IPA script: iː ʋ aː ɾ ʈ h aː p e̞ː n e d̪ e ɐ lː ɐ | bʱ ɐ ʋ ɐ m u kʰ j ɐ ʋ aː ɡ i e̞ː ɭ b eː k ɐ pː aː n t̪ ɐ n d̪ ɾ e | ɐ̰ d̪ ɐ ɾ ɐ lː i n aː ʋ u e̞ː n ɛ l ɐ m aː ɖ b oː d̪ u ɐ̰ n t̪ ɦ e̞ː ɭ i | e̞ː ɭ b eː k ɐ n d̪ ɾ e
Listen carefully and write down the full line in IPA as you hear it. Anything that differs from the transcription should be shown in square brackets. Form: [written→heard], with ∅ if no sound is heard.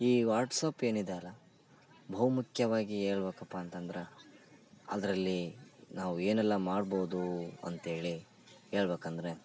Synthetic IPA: iː ʋ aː ɾ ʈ [h→s] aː p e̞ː n [e→i] d̪ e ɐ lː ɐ | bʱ ɐ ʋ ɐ m u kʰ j ɐ ʋ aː ɡ i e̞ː ɭ b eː k ɐ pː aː n t̪ ɐ n d̪ ɾ e | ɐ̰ d̪ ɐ ɾ ɐ lː i n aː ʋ u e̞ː n ɛ [l→lː] ɐ m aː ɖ b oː d̪ u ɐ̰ n t̪ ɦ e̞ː ɭ i | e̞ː ɭ b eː k ɐ n d̪ ɾ e

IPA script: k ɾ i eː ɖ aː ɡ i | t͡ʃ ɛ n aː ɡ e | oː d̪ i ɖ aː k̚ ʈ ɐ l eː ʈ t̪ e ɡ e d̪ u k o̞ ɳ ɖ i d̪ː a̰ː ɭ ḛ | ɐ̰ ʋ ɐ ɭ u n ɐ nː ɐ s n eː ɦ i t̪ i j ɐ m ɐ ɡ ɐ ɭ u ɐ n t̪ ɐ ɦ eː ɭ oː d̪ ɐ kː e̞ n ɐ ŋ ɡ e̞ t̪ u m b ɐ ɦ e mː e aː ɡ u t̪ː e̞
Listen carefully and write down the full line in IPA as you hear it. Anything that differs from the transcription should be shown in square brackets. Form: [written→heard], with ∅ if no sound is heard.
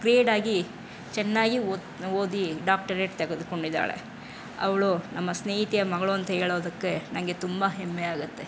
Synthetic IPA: k ɾ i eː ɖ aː ɡ i | t͡ʃ ɛ [n→nː] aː ɡ [e→i] | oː d̪ i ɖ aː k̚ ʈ ɐ [l→ɾ] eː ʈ t̪ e ɡ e d̪ u k o̞ ɳ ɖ i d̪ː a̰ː ɭ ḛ | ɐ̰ ʋ ɐ ɭ u n ɐ [nː→mː] ɐ s n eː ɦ i t̪ i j ɐ m ɐ ɡ ɐ ɭ u ɐ n t̪ ɐ ɦ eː ɭ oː d̪ ɐ kː e̞ n ɐ ŋ ɡ e̞ t̪ u m b ɐ ɦ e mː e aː ɡ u t̪ː e̞

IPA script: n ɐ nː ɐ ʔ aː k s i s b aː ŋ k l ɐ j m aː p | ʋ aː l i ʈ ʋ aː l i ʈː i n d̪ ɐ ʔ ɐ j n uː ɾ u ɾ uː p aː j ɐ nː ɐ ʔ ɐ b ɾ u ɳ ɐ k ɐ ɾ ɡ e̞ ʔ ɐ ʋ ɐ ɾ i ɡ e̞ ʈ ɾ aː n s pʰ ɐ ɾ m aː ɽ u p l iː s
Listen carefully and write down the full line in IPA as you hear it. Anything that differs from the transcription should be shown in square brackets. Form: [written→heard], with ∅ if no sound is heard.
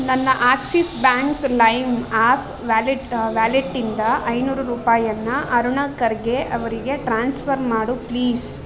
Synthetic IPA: n ɐ nː ɐ ʔ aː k s i s b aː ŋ k l ɐ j m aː p | ʋ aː l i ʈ ʋ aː l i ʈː i n d̪ ɐ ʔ ɐ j n uː ɾ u ɾ uː p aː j ɐ nː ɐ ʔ ɐ [b→∅] ɾ u ɳ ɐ k ɐ ɾ ɡ e̞ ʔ ɐ ʋ ɐ ɾ i ɡ e̞ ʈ ɾ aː n s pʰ ɐ ɾ m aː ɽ u p l iː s

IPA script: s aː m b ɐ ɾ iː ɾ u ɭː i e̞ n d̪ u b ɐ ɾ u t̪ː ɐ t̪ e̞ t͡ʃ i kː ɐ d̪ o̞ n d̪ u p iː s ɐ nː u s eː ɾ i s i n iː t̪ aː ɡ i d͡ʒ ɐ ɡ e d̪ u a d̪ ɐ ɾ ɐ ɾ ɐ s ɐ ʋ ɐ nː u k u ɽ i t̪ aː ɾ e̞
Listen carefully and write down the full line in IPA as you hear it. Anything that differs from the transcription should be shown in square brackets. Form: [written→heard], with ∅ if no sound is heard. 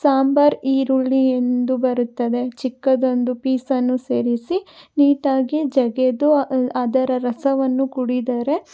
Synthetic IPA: s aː m b ɐ ɾ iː ɾ u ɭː i e̞ n d̪ u b ɐ ɾ u t̪ː ɐ [t̪→d̪] e̞ t͡ʃ i kː ɐ d̪ o̞ n d̪ u p iː s ɐ nː u s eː ɾ i s i n iː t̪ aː ɡ i d͡ʒ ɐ ɡ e d̪ u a d̪ ɐ ɾ ɐ ɾ ɐ s ɐ ʋ ɐ nː u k u ɽ i [t̪→d̪] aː ɾ e̞

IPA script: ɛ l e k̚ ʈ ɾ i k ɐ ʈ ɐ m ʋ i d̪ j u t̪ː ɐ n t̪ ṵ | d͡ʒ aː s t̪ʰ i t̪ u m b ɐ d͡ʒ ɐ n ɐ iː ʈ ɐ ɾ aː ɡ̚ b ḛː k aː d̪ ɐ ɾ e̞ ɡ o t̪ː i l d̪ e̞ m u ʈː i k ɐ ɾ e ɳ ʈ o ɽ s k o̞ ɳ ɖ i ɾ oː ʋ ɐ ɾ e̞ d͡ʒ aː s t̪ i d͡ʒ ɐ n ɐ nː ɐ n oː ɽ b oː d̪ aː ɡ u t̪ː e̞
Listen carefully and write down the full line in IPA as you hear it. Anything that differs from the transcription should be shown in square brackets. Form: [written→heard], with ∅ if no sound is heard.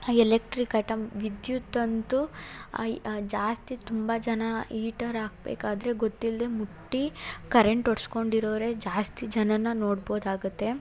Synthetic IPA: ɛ l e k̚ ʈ ɾ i k ɐ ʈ ɐ m ʋ i d̪ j u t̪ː ɐ n t̪ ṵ | d͡ʒ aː s [t̪ʰ→t̪] i t̪ u m b ɐ d͡ʒ ɐ n ɐ iː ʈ ɐ ɾ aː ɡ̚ b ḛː k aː d̪ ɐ ɾ e̞ ɡ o t̪ː i l d̪ e̞ m u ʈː i k ɐ ɾ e ɳ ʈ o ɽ s k o̞ ɳ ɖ i ɾ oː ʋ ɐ ɾ e̞ d͡ʒ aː s t̪ i d͡ʒ ɐ n ɐ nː ɐ n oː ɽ b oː d̪ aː ɡ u t̪ː e̞

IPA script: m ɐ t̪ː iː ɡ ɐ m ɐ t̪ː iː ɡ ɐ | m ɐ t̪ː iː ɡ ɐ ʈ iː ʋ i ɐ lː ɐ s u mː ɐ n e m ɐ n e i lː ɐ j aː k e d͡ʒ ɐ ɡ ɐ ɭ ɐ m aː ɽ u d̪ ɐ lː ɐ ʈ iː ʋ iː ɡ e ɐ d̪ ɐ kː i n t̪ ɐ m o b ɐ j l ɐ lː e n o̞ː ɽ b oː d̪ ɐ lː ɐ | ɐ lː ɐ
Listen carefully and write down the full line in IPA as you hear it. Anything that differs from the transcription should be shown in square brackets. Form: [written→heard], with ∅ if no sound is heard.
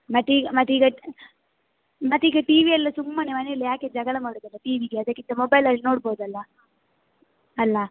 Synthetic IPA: m ɐ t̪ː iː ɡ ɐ m ɐ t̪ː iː ɡ ɐ | m ɐ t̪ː iː ɡ ɐ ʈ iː ʋ i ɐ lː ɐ s u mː ɐ n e m ɐ n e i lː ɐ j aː k e d͡ʒ ɐ ɡ ɐ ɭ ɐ m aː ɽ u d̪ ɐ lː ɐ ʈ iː ʋ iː ɡ e ɐ d̪ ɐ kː i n t̪ ɐ m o b ɐ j l ɐ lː [e→i] n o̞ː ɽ b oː d̪ ɐ lː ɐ | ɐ lː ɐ

